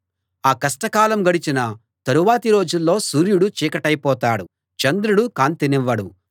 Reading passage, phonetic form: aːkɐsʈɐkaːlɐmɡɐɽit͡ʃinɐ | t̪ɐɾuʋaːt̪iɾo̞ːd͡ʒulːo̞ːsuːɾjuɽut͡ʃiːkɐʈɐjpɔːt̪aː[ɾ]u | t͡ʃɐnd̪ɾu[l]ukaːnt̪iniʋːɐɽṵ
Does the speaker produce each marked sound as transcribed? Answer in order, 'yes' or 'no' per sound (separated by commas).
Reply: no, no